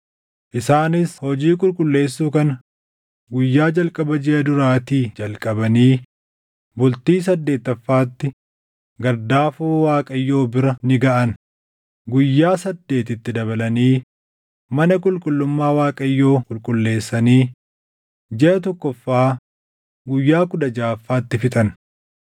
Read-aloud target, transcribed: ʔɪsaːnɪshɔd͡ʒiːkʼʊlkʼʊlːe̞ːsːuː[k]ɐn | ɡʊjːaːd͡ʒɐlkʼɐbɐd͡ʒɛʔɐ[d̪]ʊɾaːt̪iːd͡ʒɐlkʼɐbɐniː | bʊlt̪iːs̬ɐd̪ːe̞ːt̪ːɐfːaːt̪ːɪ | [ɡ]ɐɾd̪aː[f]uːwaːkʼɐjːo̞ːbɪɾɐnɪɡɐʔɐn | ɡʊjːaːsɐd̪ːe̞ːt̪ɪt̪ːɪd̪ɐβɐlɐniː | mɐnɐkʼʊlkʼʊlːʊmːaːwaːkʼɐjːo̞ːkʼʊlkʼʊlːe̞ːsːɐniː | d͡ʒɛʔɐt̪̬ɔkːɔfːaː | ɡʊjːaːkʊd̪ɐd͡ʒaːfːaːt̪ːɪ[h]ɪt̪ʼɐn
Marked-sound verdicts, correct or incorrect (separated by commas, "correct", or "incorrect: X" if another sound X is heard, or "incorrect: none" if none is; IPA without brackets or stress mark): correct, correct, correct, correct, incorrect: f